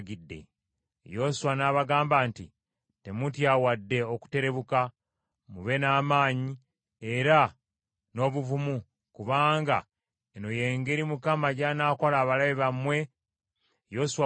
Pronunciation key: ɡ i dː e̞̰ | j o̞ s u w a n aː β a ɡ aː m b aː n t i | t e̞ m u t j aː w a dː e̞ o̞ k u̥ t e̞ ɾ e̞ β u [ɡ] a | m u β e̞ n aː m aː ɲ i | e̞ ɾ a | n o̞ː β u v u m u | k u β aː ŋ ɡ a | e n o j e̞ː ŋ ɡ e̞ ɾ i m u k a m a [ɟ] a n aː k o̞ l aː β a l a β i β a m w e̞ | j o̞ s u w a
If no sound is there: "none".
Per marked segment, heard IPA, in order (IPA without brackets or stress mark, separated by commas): k, ɟ